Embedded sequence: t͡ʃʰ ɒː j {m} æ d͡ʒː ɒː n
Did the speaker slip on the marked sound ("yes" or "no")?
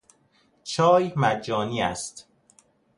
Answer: no